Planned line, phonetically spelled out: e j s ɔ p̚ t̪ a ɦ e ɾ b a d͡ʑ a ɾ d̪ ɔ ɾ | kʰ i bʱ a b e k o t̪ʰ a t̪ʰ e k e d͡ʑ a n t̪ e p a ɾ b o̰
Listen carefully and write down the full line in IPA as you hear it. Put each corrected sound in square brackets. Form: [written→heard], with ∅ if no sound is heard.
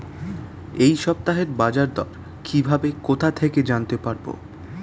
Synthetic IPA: e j [s→ʃ] ɔ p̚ t̪ a ɦ e ɾ b a d͡ʑ a ɾ d̪ ɔ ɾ | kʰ i bʱ a b e k o t̪ʰ a t̪ʰ e k e d͡ʑ a n t̪ e p a ɾ b o̰